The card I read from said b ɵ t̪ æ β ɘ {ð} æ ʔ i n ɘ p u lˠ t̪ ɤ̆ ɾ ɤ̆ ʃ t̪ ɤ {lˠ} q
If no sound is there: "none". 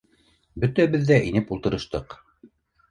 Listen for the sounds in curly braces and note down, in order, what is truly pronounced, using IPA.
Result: ðː, none

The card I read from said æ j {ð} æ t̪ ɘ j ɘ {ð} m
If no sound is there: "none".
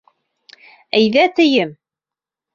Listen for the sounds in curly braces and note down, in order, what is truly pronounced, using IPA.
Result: ð, none

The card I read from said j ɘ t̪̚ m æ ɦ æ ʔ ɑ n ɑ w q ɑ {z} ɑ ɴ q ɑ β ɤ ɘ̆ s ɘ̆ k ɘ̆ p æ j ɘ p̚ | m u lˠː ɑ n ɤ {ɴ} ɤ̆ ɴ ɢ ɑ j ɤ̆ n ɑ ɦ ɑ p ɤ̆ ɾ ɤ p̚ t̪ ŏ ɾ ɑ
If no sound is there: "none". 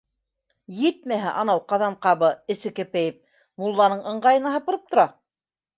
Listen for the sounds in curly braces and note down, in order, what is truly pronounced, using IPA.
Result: ð, ɴ

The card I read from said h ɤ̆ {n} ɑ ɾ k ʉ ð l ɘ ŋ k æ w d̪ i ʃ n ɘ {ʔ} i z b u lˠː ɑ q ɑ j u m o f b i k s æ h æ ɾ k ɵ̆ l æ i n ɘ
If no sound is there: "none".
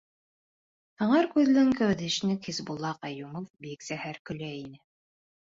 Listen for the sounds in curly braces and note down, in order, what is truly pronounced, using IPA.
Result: ɴ, k

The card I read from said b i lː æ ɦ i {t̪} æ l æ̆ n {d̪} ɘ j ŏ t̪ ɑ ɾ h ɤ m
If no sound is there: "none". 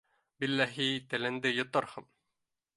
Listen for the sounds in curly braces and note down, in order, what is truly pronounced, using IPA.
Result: t̪, d̪

